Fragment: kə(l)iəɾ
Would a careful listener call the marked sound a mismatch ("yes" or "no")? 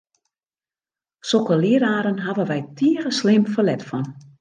no